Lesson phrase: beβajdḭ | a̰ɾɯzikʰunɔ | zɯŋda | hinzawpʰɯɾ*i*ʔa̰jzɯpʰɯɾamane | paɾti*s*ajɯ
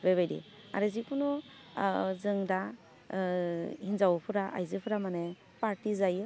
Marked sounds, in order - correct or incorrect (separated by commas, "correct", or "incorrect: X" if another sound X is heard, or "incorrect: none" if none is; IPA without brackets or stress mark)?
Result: incorrect: a, incorrect: z